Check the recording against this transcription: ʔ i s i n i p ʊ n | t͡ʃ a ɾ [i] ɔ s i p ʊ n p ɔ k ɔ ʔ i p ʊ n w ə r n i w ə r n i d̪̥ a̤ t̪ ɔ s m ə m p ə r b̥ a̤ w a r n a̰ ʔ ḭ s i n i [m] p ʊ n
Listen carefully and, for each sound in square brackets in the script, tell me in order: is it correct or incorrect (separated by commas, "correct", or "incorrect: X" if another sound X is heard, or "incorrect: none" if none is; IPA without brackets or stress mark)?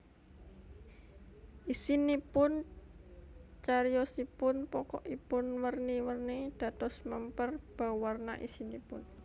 incorrect: j, incorrect: none